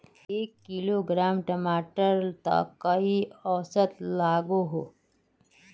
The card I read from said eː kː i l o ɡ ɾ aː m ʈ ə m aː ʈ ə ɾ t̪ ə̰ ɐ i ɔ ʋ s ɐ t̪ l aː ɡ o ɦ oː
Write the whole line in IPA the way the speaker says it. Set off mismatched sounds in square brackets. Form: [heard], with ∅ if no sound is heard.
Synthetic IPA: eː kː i l o ɡ ɾ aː m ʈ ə m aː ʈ ə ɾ t̪ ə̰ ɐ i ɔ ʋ s [ə] t̪ l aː ɡ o ɦ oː